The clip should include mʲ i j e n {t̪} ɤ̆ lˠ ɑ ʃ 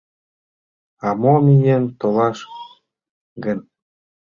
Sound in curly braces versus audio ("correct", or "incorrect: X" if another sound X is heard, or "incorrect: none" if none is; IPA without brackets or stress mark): correct